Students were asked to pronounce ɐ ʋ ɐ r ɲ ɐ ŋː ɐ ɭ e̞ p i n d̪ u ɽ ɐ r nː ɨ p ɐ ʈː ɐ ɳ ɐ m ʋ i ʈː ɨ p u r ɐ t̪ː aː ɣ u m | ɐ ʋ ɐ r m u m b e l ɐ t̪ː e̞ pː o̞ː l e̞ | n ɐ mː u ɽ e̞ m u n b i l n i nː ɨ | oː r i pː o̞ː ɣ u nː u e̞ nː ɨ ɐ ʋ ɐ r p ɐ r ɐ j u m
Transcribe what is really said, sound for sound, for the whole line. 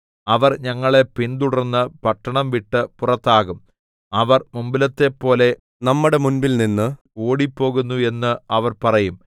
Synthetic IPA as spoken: ɐ ʋ ɐ r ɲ ɐ ŋː ɐ ɭ e̞ p i n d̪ u ɽ ɐ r nː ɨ p ɐ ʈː ɐ ɳ ɐ m ʋ i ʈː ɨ p u r ɐ t̪ː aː ɣ u m | ɐ ʋ ɐ r m u m b i l ɐ t̪ː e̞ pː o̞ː l e̞ | n ɐ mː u ɽ e̞ m u n b i l n i nː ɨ | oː ɽ i pː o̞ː ɣ u nː u e̞ nː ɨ ɐ ʋ ɐ r p ɐ r ɐ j u m

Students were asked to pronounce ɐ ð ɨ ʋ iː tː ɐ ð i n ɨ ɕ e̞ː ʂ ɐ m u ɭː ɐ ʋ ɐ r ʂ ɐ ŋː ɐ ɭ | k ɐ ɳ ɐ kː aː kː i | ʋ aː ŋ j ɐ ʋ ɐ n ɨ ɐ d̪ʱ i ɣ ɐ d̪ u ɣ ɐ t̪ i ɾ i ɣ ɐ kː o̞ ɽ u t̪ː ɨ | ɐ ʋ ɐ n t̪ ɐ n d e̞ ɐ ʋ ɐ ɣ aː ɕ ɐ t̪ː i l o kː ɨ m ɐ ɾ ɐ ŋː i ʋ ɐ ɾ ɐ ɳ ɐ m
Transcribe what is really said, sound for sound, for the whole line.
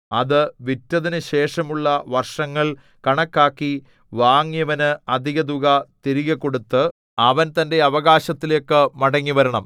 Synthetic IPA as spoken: ɐ ð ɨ ʋ i tː ɐ ð i n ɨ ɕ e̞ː ʂ ɐ m u ɭː ɐ ʋ ɐ r ʂ ɐ ŋː ɐ ɭ | k ɐ ɳ ɐ kː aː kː i | ʋ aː ŋ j ɐ ʋ ɐ n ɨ ɐ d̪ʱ i ɣ ɐ d̪ u ɣ ɐ t̪ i ɾ i ɣ ɐ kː o̞ ɽ u t̪ː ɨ | ɐ ʋ ɐ n t̪ ɐ n d e̞ ɐ ʋ ɐ ɣ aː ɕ ɐ t̪ː i l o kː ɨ m ɐ ɽ ɐ ŋː i ʋ ɐ ɾ ɐ ɳ ɐ m

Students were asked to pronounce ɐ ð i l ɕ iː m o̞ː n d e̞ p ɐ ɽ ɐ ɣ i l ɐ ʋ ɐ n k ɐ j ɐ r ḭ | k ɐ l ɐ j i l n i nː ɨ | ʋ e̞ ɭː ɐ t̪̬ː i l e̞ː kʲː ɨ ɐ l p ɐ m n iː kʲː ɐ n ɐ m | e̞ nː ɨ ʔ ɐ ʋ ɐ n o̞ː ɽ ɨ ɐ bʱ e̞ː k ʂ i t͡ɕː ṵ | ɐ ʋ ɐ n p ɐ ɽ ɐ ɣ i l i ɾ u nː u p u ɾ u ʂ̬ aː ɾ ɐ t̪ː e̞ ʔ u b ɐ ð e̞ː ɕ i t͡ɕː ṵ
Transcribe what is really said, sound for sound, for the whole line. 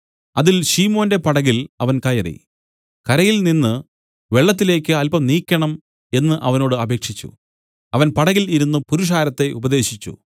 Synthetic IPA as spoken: ɐ ð i l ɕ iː m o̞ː n d e̞ p ɐ ɽ ɐ ɣ i l ɐ ʋ ɐ n k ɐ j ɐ r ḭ | k ɐ ɾ ɐ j i l n i nː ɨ | ʋ e̞ ɭː ɐ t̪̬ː i l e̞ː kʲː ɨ ɐ l p ɐ m n iː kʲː ɐ ɳ ɐ m | e̞ nː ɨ ʔ ɐ ʋ ɐ n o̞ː ɽ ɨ ɐ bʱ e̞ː k ʂ i t͡ɕː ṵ | ɐ ʋ ɐ n p ɐ ɽ ɐ ɣ i l i ɾ u nː u p u ɾ u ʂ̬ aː ɾ ɐ t̪ː e̞ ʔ u b ɐ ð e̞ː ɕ i t͡ɕː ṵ

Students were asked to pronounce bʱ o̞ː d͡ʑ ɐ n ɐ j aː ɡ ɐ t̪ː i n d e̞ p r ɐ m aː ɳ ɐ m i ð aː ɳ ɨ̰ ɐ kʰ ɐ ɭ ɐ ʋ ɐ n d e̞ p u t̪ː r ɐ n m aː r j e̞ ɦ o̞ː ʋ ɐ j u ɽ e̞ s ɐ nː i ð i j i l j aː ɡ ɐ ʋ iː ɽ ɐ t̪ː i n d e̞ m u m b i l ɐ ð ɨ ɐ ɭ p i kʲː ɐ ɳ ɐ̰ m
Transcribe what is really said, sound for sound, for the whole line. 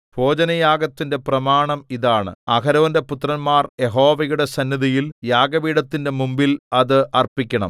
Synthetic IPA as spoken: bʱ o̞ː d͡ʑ ɐ n ɐ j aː ɡ ɐ t̪ː i n d e̞ p r ɐ m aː ɳ ɐ m i ð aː ɳ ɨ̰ ɐ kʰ ɐ ɾ ɐ ʋ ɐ n d e̞ p u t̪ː r ɐ n m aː r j e̞ ɦ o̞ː ʋ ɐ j u ɽ e̞ s ɐ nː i ð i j i l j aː ɡ ɐ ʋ iː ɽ ɐ t̪ː i n d e̞ m u m b i l ɐ ð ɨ ɐ r p i kʲː ɐ ɳ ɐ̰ m

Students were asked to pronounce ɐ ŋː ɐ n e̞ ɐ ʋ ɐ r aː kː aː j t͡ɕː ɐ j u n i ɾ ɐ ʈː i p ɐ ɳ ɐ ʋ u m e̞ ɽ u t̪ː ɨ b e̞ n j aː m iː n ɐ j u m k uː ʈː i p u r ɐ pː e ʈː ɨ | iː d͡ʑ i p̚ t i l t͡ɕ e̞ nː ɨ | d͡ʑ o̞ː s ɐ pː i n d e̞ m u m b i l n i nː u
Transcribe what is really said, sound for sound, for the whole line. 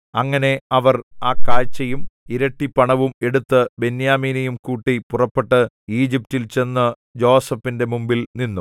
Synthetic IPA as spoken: ɐ ŋː ɐ n e̞ ɐ ʋ ɐ r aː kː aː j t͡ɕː ɐ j u m i ɾ ɐ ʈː i p ɐ ɳ ɐ ʋ u m e̞ ɽ u t̪ː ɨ b e̞ n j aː m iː n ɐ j u m k uː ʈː i p u r ɐ pː e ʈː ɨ | iː d͡ʑ i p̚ t i l t͡ɕ e̞ nː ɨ | d͡ʑ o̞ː s ɐ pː i n d e̞ m u m b i l n i nː u

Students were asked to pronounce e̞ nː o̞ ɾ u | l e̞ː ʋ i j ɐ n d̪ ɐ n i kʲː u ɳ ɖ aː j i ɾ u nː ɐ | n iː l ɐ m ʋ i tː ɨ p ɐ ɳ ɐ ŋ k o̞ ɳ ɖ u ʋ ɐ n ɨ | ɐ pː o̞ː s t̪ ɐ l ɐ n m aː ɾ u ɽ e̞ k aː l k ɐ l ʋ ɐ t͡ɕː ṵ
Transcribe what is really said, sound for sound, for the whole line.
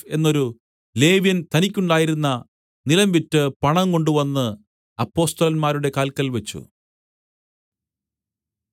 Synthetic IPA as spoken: e̞ nː o̞ ɾ u | l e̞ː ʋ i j ɐ n t̪ ɐ n i kʲː u ɳ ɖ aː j i ɾ u nː ɐ | n i l ɐ m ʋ i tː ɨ p ɐ ɳ ɐ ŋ k o̞ ɳ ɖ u ʋ ɐ nː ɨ | ɐ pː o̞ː s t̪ ɐ l ɐ n m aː ɾ u ɽ e̞ k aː l k ɐ l ʋ ɐ t͡ɕː ṵ

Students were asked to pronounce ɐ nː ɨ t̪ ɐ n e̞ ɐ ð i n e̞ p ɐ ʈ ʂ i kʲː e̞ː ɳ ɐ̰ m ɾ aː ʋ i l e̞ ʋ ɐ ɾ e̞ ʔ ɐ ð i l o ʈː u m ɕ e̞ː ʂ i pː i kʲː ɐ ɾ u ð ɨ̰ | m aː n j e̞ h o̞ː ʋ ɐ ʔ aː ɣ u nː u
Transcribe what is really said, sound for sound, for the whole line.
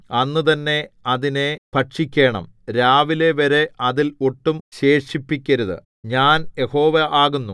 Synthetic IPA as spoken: ɐ nː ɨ t̪ ɐ nː e̞ ɐ ð i n e̞ p ɐ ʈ ʂ i kʲː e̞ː ɳ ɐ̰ m ɾ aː ʋ i l e̞ ʋ ɐ ɾ e̞ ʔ ɐ ð i l o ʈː u m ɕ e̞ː ʂ i pː i kʲː ɐ ɾ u ð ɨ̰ | ɲ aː n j e̞ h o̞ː ʋ ɐ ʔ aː ɣ u nː u

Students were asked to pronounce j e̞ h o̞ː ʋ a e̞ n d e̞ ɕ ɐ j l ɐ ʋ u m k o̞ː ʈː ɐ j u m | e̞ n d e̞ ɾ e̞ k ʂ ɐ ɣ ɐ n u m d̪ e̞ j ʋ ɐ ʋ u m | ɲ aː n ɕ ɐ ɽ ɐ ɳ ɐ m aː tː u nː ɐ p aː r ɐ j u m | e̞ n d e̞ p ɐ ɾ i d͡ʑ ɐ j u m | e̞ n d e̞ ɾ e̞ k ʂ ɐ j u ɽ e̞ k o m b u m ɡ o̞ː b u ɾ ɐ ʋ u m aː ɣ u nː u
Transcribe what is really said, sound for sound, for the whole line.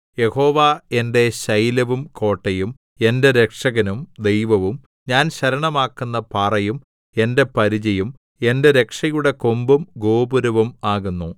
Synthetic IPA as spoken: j e̞ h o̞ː ʋ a e̞ n d e̞ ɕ ɐ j l ɐ ʋ u m k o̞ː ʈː ɐ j u m | e̞ n d e̞ ɾ e̞ k ʂ ɐ ɣ ɐ n u m d̪ e̞ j ʋ ɐ ʋ u m | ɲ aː n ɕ ɐ ɾ ɐ ɳ ɐ m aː kː u nː ɐ p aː r ɐ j u m | e̞ n d e̞ p ɐ ɾ i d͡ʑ ɐ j u m | e̞ n d e̞ ɾ e̞ k ʂ ɐ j u ɽ e̞ k o m b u m ɡ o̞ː b u ɾ ɐ ʋ u m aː ɣ u nː u

